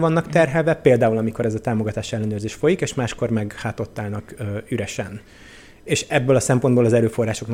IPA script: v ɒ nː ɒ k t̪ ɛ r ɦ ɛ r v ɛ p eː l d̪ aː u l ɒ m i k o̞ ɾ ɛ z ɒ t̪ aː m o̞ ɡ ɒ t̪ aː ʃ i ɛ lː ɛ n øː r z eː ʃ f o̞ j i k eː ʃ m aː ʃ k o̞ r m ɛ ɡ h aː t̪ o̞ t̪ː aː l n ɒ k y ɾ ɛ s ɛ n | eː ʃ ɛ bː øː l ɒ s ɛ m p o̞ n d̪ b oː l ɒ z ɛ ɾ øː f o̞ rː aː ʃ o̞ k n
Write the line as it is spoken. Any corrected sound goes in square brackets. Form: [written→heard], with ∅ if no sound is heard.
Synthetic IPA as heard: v ɒ nː ɒ k t̪ ɛ r ɦ ɛ [r→l] v ɛ p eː l d̪ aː u l ɒ m i k o̞ ɾ ɛ z ɒ t̪ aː m o̞ ɡ ɒ t̪ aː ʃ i ɛ lː ɛ n øː r z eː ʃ f o̞ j i k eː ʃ m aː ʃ k o̞ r m ɛ ɡ h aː t̪ o̞ t̪ː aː l n ɒ k y ɾ ɛ [s→ʃ] ɛ n | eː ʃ ɛ bː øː l ɒ s ɛ m p o̞ n d̪ b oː l ɒ z ɛ ɾ øː f o̞ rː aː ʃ o̞ k n